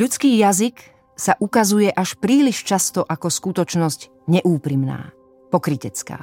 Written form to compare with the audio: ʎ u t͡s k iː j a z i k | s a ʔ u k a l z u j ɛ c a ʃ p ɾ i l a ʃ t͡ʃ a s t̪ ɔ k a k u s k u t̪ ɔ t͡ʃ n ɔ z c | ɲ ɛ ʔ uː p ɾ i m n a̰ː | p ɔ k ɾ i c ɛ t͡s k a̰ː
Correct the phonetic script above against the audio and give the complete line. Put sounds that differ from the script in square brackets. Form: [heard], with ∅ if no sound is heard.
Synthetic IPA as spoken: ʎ u t͡s k iː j a z i k | s a ʔ u k a [∅] z u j ɛ [ʔ] a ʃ p ɾ [iː] l [i] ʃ t͡ʃ a s t̪ ɔ [ʔ] a k [ɔ] s k u t̪ ɔ t͡ʃ n ɔ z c | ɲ ɛ ʔ uː p ɾ i m n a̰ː | p ɔ k ɾ i c ɛ t͡s k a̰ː